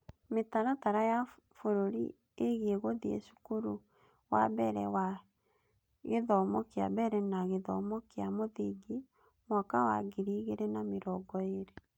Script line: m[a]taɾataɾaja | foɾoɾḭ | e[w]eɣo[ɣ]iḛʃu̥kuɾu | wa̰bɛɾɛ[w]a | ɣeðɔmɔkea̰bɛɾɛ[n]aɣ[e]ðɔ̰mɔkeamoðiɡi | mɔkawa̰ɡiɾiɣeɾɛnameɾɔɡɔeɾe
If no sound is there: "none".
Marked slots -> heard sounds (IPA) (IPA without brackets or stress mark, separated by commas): e, ɣ, ð, w, n, e